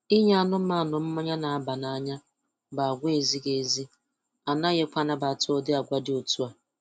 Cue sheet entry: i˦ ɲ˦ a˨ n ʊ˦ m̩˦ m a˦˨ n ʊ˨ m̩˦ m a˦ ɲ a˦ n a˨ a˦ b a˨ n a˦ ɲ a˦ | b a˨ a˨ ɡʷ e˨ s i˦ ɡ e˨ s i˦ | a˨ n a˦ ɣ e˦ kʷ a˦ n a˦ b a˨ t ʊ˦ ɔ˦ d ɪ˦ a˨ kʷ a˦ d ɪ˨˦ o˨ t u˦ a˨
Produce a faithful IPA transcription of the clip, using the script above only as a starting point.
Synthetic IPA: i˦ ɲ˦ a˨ n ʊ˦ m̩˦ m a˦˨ n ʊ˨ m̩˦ m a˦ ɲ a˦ n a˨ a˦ b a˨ n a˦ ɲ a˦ | b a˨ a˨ ɡʷ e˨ z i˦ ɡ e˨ z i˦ | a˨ n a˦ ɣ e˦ kʷ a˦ n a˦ b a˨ t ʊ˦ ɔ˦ d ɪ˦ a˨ ɡʷ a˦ d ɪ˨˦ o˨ t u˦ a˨